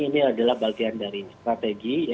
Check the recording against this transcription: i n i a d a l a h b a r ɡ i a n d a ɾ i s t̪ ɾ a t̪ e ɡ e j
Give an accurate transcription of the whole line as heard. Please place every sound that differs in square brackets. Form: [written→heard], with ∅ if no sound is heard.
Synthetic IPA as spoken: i n i a d a l a h b a [r→l] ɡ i a n d a ɾ i s t̪ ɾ a t̪ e ɡ [e→i] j